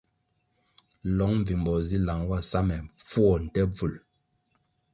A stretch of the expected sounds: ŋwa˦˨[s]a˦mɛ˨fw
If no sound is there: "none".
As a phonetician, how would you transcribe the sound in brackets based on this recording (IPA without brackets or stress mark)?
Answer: s